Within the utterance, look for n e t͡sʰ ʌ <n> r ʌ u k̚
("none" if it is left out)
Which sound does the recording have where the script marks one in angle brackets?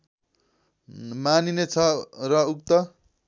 none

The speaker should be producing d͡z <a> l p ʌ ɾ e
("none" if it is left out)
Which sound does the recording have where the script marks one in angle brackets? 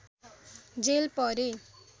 e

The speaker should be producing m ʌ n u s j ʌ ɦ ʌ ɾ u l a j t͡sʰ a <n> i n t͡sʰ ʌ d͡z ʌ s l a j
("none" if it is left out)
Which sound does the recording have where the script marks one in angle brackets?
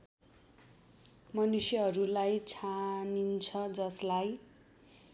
n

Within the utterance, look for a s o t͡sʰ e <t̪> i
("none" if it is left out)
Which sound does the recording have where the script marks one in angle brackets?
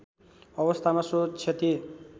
t̪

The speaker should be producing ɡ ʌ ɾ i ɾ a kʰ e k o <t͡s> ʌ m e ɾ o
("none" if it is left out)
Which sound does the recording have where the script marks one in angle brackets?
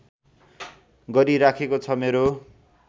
t͡sʰ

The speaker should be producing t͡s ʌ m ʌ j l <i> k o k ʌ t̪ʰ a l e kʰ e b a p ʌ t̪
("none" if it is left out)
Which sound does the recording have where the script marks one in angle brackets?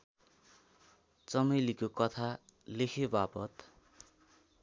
i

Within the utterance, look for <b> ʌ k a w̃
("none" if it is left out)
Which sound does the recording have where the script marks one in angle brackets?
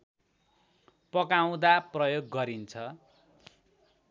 p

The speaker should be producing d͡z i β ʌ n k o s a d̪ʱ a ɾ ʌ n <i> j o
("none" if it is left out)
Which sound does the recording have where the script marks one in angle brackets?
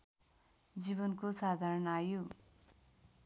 a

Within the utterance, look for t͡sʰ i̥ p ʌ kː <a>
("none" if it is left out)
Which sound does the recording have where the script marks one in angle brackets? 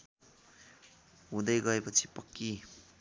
i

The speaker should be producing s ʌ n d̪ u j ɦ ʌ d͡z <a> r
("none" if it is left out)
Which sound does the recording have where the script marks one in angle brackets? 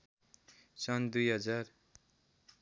a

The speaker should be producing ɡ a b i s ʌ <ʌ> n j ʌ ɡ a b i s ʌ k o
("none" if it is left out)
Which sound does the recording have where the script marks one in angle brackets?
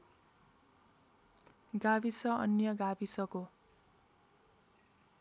ʌ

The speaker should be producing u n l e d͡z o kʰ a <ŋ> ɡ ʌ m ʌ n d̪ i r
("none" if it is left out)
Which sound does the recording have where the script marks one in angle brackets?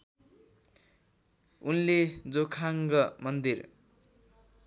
ŋ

